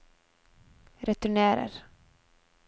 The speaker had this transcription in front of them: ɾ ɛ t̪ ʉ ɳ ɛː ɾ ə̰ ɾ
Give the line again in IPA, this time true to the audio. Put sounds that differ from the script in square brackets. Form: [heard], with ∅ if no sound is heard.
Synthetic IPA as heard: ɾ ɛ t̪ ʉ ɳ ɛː ɾ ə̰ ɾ